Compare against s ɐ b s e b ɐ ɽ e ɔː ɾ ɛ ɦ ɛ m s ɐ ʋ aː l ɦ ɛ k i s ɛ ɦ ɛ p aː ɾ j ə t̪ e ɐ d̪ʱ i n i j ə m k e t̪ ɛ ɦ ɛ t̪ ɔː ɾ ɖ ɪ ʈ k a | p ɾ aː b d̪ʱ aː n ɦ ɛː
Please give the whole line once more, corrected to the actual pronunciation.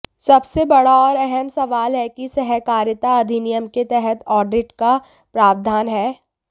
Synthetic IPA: s ɐ b s e b ɐ ɽ a ɔː ɾ ɛ ɦ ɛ m s ɐ ʋ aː l ɦ ɛ k i s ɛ ɦ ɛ k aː ɾ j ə t̪ a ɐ d̪ʱ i n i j ə m k e t̪ ɛ ɦ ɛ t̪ ɔː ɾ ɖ ɪ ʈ k a | p ɾ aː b d̪ʱ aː n ɦ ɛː